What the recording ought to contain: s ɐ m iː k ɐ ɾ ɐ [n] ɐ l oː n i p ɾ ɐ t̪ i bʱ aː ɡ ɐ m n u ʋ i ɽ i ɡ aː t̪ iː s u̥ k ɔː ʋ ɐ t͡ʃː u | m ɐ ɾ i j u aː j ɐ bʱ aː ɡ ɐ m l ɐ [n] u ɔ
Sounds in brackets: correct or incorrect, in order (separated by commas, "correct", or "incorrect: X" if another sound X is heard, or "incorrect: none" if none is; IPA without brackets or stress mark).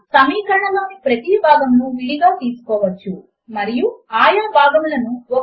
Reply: incorrect: ɳ, correct